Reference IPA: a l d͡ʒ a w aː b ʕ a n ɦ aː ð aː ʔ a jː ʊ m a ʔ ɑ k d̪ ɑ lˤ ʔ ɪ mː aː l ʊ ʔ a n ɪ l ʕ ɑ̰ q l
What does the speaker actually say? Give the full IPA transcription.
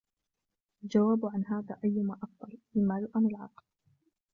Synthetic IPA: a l d͡ʒ a w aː b ʕ a n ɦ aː ð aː ʔ a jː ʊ m a ʔ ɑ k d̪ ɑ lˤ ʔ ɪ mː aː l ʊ ʔ a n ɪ l ʕ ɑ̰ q l